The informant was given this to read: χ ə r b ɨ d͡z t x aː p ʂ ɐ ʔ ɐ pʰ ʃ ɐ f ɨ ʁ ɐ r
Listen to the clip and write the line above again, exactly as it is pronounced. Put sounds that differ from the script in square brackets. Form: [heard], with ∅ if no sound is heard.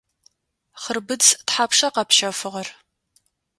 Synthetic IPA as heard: χ ə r b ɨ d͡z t [ħ] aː p ʂ ɐ [q] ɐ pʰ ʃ ɐ f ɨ ʁ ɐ r